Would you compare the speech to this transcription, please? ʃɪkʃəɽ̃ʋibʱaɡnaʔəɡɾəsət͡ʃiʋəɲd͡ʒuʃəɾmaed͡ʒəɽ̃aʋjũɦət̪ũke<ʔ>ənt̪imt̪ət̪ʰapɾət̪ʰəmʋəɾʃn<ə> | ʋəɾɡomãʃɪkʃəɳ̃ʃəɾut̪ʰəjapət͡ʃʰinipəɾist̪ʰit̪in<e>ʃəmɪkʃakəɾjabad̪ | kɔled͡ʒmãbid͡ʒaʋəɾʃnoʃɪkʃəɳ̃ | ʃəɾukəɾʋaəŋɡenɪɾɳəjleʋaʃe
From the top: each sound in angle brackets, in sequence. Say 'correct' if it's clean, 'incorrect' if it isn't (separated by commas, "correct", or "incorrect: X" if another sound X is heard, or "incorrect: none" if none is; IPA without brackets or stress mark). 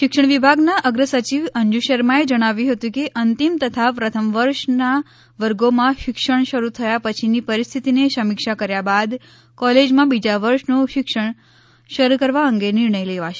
correct, incorrect: a, correct